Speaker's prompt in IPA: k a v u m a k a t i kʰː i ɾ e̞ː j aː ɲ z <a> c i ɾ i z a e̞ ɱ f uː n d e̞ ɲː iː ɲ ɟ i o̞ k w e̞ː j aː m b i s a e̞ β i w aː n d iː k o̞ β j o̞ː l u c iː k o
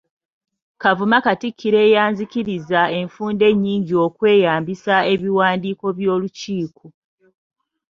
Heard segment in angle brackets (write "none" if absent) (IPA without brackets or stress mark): i